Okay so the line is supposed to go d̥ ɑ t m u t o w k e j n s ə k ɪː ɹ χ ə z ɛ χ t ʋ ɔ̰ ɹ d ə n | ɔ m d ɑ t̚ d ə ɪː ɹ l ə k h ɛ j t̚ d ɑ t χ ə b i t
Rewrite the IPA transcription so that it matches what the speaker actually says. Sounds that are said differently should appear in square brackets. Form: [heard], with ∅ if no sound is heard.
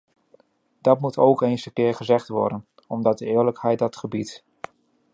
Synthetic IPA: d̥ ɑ t m u t o w k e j n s ə k ɪː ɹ χ ə z ɛ χ t ʋ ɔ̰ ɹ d ə n | ɔ m d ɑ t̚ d ə ɪː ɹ l ə k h ɛ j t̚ d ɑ t χ ə b i t